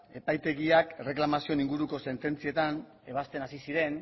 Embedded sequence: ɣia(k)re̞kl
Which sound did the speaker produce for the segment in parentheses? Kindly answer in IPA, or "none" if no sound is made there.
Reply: k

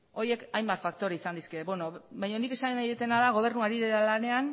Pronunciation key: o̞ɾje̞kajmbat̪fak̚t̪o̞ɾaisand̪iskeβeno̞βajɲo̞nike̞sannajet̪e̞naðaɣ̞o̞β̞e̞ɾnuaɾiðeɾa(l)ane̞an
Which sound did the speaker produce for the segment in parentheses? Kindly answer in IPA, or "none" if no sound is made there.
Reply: l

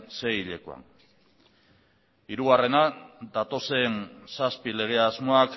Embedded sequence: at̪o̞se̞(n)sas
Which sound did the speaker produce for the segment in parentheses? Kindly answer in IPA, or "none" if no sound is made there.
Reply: n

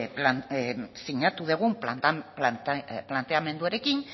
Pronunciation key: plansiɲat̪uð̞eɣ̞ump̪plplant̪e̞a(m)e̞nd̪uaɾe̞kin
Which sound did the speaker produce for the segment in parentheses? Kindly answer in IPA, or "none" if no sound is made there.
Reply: m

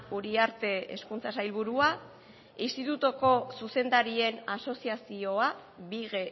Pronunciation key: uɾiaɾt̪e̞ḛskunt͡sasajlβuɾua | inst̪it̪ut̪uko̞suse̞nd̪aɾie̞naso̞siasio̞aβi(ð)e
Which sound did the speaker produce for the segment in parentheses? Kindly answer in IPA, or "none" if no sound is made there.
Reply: ɣ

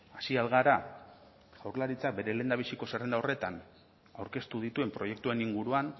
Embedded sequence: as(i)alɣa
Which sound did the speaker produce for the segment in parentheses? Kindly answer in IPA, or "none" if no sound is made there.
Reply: i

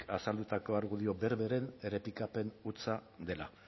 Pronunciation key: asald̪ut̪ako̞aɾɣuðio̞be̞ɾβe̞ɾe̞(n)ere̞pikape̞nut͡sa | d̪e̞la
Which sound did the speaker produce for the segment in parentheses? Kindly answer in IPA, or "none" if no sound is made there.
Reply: n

